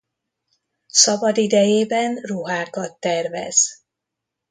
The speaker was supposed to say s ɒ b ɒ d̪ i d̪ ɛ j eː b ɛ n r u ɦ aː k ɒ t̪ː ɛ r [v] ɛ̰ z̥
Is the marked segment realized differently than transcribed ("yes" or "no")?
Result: no